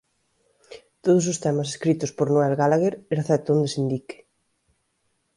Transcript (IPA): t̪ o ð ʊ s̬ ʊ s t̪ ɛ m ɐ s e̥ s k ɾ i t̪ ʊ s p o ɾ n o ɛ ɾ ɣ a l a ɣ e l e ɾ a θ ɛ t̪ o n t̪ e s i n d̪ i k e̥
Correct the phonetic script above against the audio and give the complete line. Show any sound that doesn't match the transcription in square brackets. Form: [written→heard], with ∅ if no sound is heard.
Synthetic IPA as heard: t̪ o ð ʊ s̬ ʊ s t̪ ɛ m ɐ s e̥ s k ɾ i t̪ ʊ s p o ɾ n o ɛ [ɾ→l] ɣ a l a ɣ e [l→ɾ] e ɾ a θ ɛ t̪ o n [t̪→d̪] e s i n d̪ i k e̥